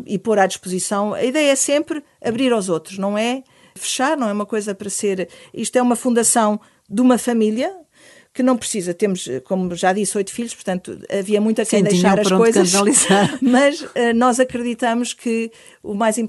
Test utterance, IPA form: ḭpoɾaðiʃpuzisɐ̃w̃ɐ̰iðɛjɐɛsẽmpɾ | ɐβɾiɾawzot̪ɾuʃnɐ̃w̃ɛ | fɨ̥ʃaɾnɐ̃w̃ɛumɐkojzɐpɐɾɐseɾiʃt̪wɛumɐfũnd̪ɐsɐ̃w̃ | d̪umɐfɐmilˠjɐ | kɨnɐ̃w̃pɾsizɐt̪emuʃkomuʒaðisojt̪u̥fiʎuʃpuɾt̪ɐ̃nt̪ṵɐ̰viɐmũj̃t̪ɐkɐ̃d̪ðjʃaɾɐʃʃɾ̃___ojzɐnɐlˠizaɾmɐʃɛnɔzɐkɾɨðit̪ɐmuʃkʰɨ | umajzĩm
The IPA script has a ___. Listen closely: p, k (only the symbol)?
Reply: k